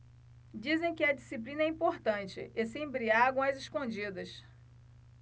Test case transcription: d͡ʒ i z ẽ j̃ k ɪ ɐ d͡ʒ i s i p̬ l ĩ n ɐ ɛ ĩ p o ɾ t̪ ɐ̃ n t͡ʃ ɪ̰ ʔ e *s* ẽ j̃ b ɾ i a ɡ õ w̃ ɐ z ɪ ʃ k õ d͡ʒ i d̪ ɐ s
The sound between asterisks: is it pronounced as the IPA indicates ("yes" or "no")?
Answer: yes